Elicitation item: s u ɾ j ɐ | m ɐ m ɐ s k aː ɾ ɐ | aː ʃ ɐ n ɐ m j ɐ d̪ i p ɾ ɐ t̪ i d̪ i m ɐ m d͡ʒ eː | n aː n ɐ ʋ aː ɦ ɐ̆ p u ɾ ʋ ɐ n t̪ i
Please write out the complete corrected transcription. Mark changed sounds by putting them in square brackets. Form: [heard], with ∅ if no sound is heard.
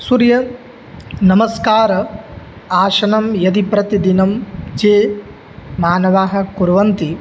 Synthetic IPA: s u ɾ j ɐ | [n] ɐ m ɐ s k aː ɾ ɐ | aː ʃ ɐ n ɐ m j ɐ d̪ i p ɾ ɐ t̪ i d̪ i [n] ɐ m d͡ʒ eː | [m] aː n ɐ ʋ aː ɦ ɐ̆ [k] u ɾ ʋ ɐ n t̪ i